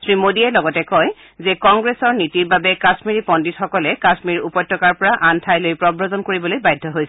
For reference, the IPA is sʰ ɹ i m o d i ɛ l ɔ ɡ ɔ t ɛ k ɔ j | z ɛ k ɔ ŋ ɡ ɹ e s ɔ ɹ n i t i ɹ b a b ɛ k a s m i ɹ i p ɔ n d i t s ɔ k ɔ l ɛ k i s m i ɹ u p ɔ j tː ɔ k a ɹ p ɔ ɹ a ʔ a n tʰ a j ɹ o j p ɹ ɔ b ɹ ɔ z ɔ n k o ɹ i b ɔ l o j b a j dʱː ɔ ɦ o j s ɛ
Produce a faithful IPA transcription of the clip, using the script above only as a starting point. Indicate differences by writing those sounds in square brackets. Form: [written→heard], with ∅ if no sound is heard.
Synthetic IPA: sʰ ɹ i m o d i ɛ l ɔ ɡ ɔ t ɛ k ɔ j | z ɛ k ɔ ŋ ɡ ɹ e s ɔ ɹ n i t i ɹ b a b ɛ k a s m i ɹ i p ɔ n d i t [s→x] ɔ k ɔ l ɛ k [i→a] s m i ɹ u p ɔ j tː ɔ k a ɹ p ɔ ɹ a ʔ a n tʰ a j [ɹ→l] o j p ɹ ɔ b ɹ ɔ z ɔ n k o ɹ i b ɔ l o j b a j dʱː ɔ ɦ o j s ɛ

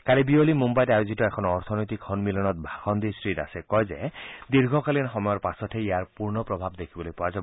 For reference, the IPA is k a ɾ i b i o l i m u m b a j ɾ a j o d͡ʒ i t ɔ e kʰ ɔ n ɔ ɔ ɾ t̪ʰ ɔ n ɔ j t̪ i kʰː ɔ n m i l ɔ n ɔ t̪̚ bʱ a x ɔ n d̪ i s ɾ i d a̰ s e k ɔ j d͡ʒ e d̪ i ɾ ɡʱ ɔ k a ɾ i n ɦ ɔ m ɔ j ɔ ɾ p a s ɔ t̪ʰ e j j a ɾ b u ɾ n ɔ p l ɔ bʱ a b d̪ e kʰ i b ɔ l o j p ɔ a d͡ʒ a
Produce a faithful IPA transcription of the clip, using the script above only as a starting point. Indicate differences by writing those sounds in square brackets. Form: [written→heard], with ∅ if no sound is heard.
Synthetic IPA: k a ɾ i b i o l i m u m b a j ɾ a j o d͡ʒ i t ɔ e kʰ ɔ n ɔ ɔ ɾ t̪ʰ ɔ n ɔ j t̪ i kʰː ɔ n m i l ɔ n ɔ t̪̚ bʱ a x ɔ n d̪ i s ɾ i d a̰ s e k ɔ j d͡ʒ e d̪ i ɾ ɡʱ ɔ k a [ɾ→l] i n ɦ ɔ m ɔ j ɔ ɾ p a s ɔ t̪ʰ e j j a ɾ [b→p] u ɾ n ɔ p [l→ɾ] ɔ bʱ a b d̪ e kʰ i b ɔ l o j p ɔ a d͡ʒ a

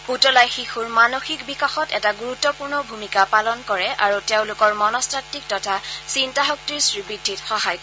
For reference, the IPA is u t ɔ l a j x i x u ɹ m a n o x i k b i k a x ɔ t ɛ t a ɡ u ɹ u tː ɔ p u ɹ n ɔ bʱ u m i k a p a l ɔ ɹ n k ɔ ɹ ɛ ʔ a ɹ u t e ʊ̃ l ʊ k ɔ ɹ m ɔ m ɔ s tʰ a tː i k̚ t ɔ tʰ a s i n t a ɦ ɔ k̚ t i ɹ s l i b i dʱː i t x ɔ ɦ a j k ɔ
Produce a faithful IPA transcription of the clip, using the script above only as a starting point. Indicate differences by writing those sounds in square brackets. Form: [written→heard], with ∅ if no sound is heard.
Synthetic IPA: u t ɔ l a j x i x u ɹ m a n o x i k b i k a x ɔ t ɛ t a ɡ u ɹ u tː ɔ p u ɹ n ɔ bʱ u m i k a p a l ɔ [ɹ→∅] n k ɔ ɹ ɛ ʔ a ɹ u t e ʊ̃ l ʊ k ɔ ɹ m ɔ [m→n] ɔ s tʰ a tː i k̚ t ɔ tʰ a s i n t a ɦ ɔ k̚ t i ɹ s [l→ɹ] i b i dʱː i t x ɔ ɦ a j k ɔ

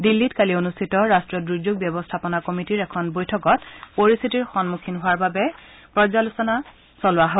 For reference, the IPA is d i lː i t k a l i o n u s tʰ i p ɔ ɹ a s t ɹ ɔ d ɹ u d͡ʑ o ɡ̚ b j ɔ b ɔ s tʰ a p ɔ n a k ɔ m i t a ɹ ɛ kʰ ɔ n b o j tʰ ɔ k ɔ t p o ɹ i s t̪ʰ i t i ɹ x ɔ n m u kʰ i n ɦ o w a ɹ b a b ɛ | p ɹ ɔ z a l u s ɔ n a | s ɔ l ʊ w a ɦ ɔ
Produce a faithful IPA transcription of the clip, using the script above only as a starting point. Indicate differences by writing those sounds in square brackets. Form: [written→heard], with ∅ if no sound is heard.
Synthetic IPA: d i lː i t k a l i o n u s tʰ i [p→t] ɔ ɹ a s t ɹ ɔ d ɹ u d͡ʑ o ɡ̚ b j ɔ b ɔ s tʰ a p ɔ n a k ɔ m i t [a→i] ɹ ɛ kʰ ɔ n b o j tʰ ɔ k ɔ t p o ɹ i s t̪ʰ i t i ɹ x ɔ n m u kʰ i n ɦ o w a ɹ b a b ɛ | p ɹ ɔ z a l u s ɔ n a | s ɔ l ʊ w a ɦ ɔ

